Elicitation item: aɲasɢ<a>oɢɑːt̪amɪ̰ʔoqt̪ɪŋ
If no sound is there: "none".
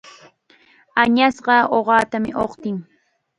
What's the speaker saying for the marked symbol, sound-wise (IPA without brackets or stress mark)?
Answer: ɑ